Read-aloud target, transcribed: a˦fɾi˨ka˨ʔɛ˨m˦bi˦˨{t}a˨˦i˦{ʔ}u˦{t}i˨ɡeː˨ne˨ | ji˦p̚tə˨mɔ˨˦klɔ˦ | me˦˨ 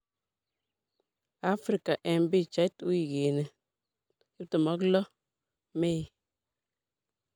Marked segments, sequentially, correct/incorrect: incorrect, incorrect, incorrect

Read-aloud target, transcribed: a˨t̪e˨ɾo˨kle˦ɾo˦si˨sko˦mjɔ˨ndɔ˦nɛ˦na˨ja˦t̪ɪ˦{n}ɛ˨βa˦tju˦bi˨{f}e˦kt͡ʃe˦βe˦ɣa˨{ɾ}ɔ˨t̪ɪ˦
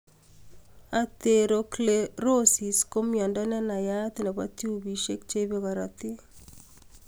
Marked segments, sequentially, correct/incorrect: correct, incorrect, correct

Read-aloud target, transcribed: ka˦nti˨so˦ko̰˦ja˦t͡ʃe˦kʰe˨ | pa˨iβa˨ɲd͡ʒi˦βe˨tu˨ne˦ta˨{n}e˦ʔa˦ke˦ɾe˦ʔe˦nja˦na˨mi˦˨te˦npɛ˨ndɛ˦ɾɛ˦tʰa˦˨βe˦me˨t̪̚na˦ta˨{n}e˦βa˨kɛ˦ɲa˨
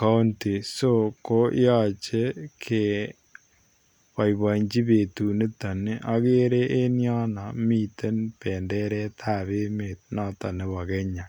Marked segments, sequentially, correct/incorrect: correct, correct

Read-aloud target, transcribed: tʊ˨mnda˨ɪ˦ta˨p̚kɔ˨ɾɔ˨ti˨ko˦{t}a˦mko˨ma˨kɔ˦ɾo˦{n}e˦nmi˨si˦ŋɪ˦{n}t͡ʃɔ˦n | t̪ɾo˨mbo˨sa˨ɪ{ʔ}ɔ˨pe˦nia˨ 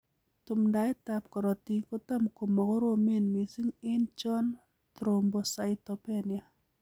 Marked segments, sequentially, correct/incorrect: correct, incorrect, correct, incorrect

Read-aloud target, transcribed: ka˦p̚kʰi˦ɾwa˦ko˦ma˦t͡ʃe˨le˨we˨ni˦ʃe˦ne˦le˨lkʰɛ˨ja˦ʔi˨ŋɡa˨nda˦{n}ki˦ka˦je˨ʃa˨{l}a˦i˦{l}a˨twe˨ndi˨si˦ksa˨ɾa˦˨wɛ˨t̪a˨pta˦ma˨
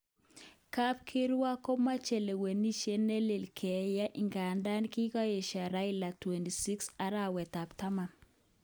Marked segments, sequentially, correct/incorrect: correct, incorrect, correct

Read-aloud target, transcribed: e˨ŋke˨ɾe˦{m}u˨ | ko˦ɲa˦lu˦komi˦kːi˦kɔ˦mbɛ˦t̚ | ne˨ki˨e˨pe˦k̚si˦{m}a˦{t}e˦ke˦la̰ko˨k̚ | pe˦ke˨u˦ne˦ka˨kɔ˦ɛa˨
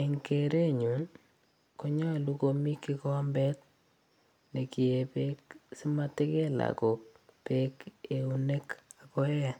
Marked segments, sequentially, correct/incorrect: incorrect, correct, correct

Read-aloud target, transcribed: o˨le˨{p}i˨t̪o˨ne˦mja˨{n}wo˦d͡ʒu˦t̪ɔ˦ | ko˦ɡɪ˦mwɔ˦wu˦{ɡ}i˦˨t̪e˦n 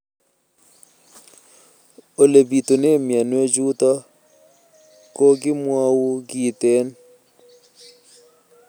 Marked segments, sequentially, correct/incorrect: incorrect, correct, correct

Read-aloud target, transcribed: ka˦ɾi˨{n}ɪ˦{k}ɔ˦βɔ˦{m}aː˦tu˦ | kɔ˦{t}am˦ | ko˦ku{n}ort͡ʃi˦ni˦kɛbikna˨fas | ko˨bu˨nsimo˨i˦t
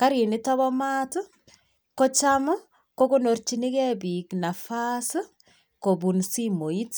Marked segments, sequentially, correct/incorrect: correct, incorrect, correct, incorrect, correct

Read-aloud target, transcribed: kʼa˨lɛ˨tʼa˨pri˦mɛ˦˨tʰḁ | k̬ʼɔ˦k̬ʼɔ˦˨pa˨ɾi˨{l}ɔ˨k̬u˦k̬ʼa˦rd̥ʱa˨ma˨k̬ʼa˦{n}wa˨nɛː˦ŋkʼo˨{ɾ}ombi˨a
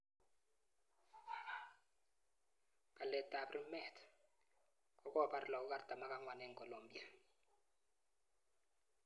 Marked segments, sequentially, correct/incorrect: correct, incorrect, incorrect

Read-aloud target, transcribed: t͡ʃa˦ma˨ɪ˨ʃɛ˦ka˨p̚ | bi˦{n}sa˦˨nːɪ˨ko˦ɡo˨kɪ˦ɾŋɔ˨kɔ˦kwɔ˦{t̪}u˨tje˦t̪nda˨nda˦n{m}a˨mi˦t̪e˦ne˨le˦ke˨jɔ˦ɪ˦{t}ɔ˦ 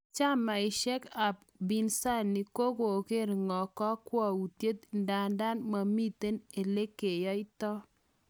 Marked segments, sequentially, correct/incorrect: correct, incorrect, correct, correct

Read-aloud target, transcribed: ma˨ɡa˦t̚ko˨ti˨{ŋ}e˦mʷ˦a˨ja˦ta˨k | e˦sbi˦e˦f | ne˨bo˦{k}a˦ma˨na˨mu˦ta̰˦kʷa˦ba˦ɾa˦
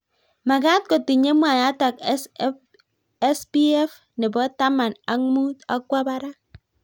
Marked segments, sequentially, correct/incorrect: incorrect, incorrect

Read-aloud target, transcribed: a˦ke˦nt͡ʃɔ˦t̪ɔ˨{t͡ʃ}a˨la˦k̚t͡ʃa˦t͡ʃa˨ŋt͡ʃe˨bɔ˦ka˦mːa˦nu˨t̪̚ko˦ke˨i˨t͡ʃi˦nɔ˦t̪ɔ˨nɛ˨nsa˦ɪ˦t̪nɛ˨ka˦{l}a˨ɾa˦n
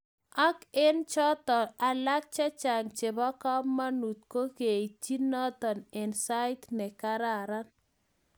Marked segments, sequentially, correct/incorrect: incorrect, incorrect

